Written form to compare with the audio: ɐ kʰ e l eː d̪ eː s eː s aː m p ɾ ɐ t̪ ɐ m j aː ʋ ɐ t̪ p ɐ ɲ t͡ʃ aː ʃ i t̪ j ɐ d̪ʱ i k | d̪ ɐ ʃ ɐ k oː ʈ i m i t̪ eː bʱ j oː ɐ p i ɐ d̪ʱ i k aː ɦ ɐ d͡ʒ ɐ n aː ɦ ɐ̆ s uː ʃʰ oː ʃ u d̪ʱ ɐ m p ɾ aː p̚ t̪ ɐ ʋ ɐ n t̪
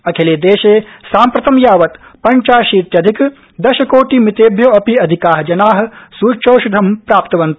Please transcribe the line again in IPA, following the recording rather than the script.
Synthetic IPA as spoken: ɐ kʰ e l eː d̪ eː ʃ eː s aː m p ɾ ɐ t̪ ɐ m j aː ʋ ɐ t̪ p ɐ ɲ t͡ʃ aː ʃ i t̪ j ɐ d̪ʱ i k | d̪ ɐ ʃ ɐ k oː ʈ i m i t̪ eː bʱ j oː ɐ p i ɐ d̪ʱ i k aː ɦ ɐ d͡ʒ ɐ n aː ɦ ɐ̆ s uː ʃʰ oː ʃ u d̪ʱ ɐ m p ɾ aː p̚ t̪ ɐ ʋ ɐ n t̪